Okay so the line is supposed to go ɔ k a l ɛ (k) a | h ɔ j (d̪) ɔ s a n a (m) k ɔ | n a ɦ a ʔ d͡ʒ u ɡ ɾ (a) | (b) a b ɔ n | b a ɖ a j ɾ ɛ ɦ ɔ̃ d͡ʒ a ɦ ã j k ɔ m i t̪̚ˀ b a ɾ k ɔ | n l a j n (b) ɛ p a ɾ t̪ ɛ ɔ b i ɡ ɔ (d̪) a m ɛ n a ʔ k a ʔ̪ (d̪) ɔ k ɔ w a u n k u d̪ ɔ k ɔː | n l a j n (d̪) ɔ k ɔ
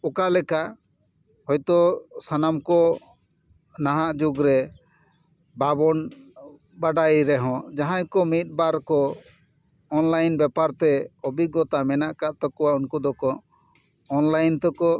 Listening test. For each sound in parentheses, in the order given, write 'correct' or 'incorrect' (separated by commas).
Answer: correct, incorrect, correct, incorrect, correct, correct, incorrect, incorrect, incorrect